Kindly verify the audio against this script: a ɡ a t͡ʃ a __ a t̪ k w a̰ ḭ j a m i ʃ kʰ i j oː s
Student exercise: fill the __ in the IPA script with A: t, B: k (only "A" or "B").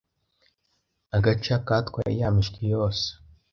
B